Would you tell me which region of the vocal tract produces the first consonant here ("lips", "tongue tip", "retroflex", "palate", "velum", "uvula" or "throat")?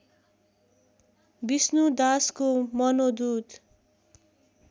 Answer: lips